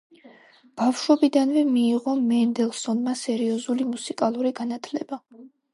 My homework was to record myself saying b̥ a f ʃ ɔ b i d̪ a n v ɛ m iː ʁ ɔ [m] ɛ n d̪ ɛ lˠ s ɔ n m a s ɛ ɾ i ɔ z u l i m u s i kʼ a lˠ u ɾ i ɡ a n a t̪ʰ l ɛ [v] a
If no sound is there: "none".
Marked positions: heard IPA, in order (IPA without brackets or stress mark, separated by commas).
m, b